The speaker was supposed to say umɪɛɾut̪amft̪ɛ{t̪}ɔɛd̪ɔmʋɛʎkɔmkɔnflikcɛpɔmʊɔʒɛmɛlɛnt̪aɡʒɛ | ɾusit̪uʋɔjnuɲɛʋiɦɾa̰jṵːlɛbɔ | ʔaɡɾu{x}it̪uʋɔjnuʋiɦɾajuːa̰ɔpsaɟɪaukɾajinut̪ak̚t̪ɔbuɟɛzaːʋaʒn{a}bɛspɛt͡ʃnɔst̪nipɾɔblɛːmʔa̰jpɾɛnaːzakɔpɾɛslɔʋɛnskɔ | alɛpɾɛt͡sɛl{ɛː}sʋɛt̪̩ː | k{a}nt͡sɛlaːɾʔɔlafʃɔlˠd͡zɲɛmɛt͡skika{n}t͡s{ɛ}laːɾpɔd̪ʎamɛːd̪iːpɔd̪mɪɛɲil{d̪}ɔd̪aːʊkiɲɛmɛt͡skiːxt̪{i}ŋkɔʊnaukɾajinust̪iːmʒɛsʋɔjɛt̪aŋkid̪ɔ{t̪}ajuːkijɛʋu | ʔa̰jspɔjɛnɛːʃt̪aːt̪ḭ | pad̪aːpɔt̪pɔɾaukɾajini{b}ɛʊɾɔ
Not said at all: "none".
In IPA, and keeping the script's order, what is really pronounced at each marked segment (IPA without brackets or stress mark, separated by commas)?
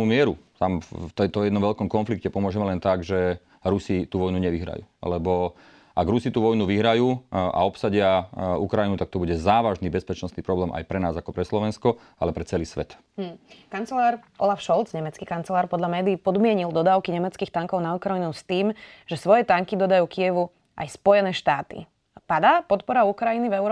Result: t̪, s, i, iː, a, n, ɛ, d̪, a, d̪, v